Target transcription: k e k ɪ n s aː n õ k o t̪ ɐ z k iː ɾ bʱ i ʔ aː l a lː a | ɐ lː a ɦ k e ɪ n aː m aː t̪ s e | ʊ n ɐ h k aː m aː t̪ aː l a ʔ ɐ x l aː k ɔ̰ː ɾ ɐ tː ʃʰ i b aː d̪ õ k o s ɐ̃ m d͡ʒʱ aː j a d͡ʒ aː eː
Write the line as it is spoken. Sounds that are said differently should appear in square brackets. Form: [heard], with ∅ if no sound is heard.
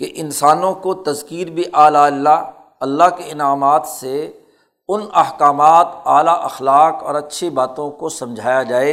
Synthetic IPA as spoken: k e [ʔ] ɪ n s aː n õ k o t̪ ɐ z k iː ɾ bʱ i ʔ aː l a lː a | ɐ lː a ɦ k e ɪ n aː m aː t̪ s e | ʊ n ɐ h k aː m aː t̪ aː l a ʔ ɐ x l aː k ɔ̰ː ɾ ɐ tː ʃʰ i b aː [t̪] õ k o s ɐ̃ m d͡ʒʱ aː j a d͡ʒ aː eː